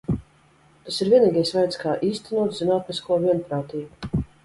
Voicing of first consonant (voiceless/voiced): voiceless